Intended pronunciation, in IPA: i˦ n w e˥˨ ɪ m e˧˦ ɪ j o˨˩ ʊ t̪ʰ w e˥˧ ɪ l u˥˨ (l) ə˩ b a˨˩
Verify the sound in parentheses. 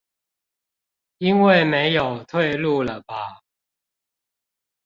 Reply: correct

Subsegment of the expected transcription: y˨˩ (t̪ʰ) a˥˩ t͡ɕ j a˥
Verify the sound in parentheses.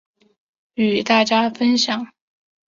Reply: incorrect: t̪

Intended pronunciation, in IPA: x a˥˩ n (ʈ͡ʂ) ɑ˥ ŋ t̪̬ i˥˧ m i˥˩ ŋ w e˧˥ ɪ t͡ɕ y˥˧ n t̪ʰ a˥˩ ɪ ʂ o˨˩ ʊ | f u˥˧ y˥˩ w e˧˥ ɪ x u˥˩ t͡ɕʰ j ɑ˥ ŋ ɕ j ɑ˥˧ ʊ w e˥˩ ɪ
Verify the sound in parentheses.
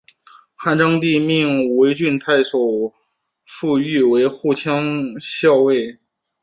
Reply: correct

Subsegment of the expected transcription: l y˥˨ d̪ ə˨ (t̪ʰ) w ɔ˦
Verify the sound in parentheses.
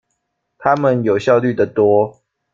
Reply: incorrect: t̪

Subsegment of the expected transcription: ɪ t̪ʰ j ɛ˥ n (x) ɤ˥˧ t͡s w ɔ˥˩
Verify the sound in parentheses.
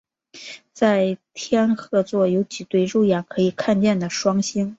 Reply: correct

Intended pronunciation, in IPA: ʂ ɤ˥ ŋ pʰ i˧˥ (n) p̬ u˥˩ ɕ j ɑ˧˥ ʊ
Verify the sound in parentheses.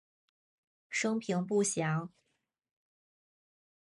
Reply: incorrect: ŋ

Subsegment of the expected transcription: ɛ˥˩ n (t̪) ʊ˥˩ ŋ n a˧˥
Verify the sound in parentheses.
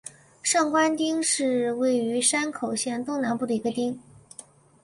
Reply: correct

